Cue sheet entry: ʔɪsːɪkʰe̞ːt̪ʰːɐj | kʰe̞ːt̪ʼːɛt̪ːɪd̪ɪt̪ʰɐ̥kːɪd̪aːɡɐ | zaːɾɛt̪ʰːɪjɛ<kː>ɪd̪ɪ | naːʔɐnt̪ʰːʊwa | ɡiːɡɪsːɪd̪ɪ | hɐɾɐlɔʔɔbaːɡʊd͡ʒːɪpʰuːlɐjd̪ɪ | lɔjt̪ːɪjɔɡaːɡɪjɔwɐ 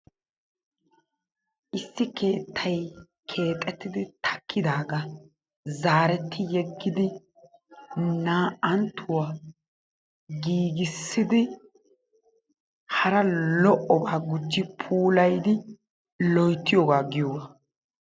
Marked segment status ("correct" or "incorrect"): incorrect